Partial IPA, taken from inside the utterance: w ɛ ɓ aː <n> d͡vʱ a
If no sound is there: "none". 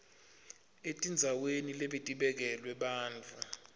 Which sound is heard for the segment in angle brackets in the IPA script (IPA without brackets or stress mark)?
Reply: n